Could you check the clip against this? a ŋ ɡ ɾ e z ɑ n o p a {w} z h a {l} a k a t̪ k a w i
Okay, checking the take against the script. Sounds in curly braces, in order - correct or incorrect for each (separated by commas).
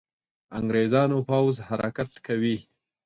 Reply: correct, incorrect